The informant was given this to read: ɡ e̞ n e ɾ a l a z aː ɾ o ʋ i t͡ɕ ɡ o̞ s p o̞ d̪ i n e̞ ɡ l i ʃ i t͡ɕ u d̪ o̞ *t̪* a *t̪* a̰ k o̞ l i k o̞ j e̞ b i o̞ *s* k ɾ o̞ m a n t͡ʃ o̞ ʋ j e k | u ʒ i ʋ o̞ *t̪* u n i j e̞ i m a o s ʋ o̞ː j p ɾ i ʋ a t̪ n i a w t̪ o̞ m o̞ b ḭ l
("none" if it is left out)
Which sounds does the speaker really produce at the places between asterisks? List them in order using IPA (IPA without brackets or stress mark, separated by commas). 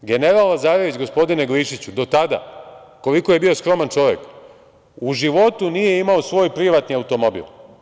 t̪, d̪, s, t̪